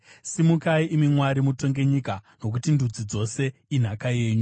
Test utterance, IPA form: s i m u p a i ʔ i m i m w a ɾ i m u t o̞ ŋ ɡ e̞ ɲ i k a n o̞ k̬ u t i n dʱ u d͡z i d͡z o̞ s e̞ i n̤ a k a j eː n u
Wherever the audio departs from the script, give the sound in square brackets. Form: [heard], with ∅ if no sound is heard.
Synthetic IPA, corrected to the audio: s i m u [k] a i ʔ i m i m w a ɾ i m u t o̞ ŋ ɡ e̞ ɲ i k a n o̞ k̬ u t i n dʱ u d͡z i d͡z o̞ s e̞ i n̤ a k a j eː [ɲ] u

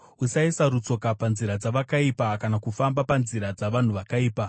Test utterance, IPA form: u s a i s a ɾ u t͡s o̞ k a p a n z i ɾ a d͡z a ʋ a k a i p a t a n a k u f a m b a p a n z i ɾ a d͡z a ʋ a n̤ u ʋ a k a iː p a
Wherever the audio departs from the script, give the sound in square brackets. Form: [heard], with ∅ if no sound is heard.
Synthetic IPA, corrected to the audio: u s a i s a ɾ u t͡s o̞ k a p a n z i ɾ a d͡z a ʋ a k a i p a [k] a n a k u f a m b a p a n z i ɾ a d͡z a ʋ a n̤ u ʋ a k a iː p a

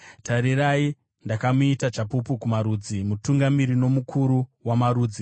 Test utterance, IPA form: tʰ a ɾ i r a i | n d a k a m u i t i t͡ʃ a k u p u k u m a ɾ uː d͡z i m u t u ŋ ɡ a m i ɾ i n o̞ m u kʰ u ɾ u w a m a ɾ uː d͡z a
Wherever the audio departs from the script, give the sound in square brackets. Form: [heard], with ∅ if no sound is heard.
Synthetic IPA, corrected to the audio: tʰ a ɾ i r a i | n d a k a m u i t [a] t͡ʃ a [p] u p u k u m a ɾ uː d͡z i m u t u ŋ ɡ a m i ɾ i n o̞ m u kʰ u ɾ u w a m a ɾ uː d͡z [i]

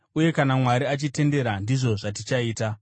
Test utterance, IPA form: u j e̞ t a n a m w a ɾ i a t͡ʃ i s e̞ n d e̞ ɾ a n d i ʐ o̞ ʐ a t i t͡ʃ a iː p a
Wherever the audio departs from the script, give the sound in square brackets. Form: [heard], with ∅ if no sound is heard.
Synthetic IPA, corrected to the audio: u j e̞ [k] a n a m w a ɾ i a t͡ʃ i [t] e̞ n d e̞ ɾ a n d i ʐ o̞ ʐ a t i t͡ʃ a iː [t] a

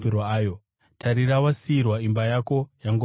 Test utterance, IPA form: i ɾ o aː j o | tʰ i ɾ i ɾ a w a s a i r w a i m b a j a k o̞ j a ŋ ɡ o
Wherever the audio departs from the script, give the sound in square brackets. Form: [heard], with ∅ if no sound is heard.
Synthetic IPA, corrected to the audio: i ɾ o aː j o | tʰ [a] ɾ i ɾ a w a s [i] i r w a i m b a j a k o̞ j a ŋ ɡ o

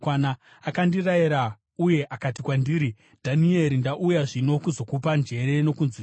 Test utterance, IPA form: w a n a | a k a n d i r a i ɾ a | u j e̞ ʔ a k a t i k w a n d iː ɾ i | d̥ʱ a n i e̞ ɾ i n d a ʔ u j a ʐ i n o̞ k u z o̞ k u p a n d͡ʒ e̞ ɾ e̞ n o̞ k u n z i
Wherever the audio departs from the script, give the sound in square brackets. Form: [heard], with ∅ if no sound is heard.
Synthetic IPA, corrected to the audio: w a n a | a k a n d i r a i ɾ a | u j e̞ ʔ a k a t i k w a n d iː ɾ i | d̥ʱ a n i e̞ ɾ i n d a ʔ u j a ʐ i n o̞ k u z o̞ k u p a n d͡ʒ e̞ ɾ e̞ n o̞ k u n z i

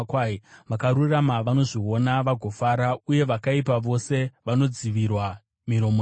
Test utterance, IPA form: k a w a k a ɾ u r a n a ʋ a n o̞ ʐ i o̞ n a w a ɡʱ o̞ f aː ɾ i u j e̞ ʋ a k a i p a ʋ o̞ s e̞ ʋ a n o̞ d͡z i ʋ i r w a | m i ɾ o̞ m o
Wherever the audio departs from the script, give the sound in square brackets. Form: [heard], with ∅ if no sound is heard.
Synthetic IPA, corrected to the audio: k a [ʋ] a k a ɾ u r a [m] a ʋ a n o̞ ʐ i o̞ n a [ʋ] a ɡʱ o̞ f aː ɾ [a] u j e̞ ʋ a k a i p a ʋ o̞ s e̞ ʋ a n o̞ d͡z i ʋ i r w a | m i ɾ o̞ m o

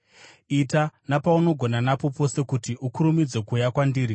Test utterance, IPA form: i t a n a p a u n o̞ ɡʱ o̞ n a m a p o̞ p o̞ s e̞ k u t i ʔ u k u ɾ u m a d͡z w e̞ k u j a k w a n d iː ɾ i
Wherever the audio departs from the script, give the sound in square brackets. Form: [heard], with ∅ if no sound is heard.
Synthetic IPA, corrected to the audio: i t a n a p a u n o̞ ɡʱ o̞ n a [n] a p o̞ p o̞ s e̞ k u t i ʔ u k u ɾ u m [i] d͡z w e̞ k u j a k w a n d iː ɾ i

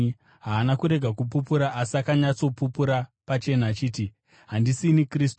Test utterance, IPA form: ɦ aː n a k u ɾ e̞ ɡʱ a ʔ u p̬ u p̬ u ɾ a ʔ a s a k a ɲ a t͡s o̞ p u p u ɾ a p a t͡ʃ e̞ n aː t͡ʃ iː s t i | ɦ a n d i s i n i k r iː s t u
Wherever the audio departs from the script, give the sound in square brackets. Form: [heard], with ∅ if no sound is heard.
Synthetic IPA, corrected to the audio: ɦ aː n a k u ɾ e̞ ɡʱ a [k] u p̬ u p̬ u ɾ a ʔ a s a k a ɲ a t͡s o̞ p u p u ɾ a p a t͡ʃ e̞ n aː t͡ʃ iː [∅] t i | ɦ a n d i s i n i k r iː s t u

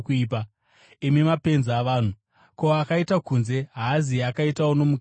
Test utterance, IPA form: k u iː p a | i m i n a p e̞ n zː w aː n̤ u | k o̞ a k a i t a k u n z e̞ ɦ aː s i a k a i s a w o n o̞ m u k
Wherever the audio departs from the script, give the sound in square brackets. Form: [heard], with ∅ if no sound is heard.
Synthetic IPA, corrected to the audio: k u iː p a | i m i [m] a p e̞ n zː [ʋ] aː n̤ u | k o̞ a k a i t a k u n z e̞ ɦ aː [z] i a k a i [t] a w o n o̞ m u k

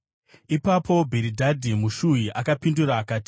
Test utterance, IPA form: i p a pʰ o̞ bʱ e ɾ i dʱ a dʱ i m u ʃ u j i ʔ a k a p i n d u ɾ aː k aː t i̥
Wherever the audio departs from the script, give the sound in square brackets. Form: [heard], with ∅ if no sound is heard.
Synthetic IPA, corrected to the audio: i p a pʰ o̞ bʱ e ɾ i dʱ a dʱ i m u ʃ u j i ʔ a k a p i n d u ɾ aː k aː t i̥

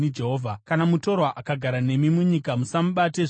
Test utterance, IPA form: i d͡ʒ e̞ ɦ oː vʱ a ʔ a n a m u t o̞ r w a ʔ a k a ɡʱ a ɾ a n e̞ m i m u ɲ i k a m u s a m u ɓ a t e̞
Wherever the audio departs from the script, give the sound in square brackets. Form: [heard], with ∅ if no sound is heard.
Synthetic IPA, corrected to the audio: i d͡ʒ e̞ ɦ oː vʱ a [k] a n a m u t o̞ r w a ʔ a k a ɡʱ a ɾ a n e̞ m i m u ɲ i k a m u s a m u ɓ a t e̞

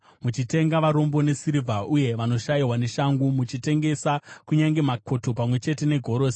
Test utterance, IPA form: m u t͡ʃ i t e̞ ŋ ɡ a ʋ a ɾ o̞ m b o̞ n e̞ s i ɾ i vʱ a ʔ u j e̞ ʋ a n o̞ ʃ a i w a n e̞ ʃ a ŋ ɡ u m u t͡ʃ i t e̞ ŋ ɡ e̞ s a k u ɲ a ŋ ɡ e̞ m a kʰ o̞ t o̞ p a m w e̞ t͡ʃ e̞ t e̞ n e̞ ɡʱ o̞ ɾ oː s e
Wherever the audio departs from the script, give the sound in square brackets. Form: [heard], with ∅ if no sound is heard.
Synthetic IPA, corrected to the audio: m u t͡ʃ i t e̞ ŋ ɡ a ʋ a ɾ o̞ m b o̞ n e̞ s i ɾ i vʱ a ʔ u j e̞ ʋ a n o̞ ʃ a i w a n e̞ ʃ a ŋ ɡ u m u t͡ʃ i t e̞ ŋ ɡ e̞ s a k u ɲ a ŋ ɡ e̞ m a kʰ o̞ t o̞ p a m w e̞ t͡ʃ e̞ t e̞ n e̞ ɡʱ o̞ ɾ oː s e

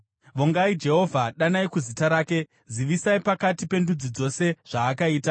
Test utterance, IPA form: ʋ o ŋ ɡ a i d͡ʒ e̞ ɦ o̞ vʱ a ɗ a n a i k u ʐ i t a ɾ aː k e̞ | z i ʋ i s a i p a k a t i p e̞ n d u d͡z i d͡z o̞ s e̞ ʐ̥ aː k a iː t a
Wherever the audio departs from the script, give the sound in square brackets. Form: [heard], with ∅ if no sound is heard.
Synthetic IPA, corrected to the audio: ʋ o ŋ ɡ a i d͡ʒ e̞ ɦ o̞ vʱ a ɗ a n a i k u [z] i t a ɾ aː k e̞ | z i ʋ i s a i p a k a t i p e̞ n d u d͡z i d͡z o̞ s e̞ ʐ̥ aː k a iː t a

